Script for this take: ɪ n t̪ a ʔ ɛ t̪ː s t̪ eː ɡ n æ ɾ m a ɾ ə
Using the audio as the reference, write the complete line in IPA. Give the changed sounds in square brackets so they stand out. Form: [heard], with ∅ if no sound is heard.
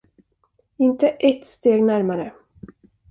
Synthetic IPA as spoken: ɪ n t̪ [ə] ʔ ɛ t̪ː s t̪ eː ɡ n æ ɾ m a ɾ ə